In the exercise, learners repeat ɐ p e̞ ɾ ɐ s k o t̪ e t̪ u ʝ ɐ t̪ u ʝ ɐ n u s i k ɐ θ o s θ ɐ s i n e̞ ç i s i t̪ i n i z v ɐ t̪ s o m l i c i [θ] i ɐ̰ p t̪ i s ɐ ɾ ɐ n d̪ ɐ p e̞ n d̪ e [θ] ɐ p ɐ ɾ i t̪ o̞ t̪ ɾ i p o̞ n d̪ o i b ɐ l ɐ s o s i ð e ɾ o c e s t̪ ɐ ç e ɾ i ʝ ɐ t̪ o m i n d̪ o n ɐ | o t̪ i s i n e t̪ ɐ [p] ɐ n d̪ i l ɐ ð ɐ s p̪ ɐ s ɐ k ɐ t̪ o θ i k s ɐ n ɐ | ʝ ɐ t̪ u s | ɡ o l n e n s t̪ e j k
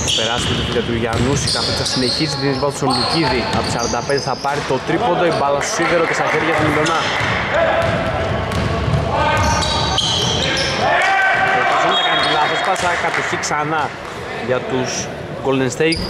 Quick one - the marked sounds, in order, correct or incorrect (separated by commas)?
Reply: incorrect, correct, incorrect